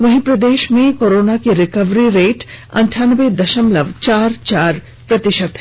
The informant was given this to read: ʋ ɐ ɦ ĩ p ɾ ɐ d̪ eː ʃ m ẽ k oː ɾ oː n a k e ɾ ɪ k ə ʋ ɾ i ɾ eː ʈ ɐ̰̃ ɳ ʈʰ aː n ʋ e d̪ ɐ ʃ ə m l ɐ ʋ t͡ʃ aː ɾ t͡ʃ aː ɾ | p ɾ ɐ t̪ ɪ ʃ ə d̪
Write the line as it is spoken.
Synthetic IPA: ʋ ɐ ɦ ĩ p ɾ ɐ d̪ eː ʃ m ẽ k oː ɾ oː n a k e ɾ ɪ k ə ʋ ɾ i ɾ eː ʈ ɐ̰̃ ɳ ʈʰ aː n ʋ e d̪ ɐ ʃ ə m l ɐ ʋ t͡ʃ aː ɾ t͡ʃ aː ɾ | p ɾ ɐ t̪ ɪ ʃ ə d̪